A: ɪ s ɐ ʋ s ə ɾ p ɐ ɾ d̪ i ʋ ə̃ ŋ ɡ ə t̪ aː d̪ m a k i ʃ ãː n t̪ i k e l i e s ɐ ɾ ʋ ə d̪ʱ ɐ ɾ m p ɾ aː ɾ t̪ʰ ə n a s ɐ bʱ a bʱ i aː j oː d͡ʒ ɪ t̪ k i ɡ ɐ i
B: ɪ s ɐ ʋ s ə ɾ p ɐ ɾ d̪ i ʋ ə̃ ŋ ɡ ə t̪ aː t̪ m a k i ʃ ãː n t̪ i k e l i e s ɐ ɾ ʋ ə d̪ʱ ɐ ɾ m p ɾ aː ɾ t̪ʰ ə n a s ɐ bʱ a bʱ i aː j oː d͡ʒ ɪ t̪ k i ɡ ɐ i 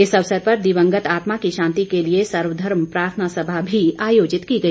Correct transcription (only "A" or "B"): B